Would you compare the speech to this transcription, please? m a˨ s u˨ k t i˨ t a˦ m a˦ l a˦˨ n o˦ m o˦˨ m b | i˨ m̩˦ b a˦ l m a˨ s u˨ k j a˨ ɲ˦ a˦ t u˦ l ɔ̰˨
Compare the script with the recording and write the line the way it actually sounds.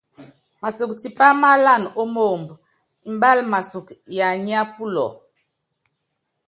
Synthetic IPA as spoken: m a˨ s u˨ k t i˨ p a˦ m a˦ l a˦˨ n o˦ m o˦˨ m b | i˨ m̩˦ b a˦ l m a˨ s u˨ k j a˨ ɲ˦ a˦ p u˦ l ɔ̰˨